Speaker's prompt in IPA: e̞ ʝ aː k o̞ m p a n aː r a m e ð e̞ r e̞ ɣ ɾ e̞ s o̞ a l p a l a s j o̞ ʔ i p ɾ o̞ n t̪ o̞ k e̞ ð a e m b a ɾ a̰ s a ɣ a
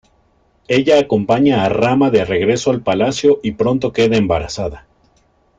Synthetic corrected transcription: e̞ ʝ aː k o̞ m p a ɲ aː r a m a ð e̞ r e̞ ɣ ɾ e̞ s o̞ a l p a l a s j o̞ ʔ i p ɾ o̞ n t̪ o̞ k e̞ ð a e m b a ɾ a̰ s a ð a